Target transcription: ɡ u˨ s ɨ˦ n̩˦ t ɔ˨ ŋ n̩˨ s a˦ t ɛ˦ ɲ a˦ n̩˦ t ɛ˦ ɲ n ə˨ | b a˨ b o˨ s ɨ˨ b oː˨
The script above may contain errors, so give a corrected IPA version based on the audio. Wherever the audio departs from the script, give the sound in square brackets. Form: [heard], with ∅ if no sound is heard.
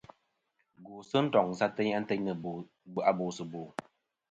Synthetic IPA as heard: ɡ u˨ s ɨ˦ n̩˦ t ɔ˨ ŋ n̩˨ s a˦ t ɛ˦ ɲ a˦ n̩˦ t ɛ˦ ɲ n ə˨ | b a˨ b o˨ s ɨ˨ b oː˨